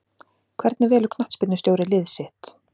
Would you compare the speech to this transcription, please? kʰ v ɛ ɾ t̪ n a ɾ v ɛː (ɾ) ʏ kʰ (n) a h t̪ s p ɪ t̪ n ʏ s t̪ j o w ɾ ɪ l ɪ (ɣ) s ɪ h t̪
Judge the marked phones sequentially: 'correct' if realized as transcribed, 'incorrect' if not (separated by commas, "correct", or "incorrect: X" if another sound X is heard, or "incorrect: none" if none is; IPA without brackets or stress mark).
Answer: incorrect: l, correct, incorrect: ð